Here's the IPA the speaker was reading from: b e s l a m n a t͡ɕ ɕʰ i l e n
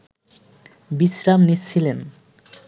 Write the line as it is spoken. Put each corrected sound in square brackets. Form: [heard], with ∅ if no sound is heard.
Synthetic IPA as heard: b [i] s [ɾ] a m n [i] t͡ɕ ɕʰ i l e n